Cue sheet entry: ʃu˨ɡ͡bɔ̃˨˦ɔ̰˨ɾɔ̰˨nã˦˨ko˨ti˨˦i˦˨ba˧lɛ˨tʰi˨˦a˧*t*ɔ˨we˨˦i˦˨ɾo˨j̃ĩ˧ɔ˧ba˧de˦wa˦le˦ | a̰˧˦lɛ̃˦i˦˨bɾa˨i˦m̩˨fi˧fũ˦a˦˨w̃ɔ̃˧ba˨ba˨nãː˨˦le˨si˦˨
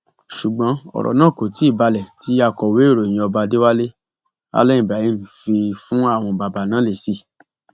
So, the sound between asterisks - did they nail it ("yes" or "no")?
no